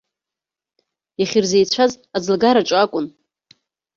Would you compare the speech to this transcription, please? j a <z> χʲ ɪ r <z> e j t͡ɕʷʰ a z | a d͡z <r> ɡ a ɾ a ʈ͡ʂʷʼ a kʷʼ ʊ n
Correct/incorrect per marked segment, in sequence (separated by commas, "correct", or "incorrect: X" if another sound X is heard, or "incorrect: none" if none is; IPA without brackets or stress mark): incorrect: none, correct, incorrect: l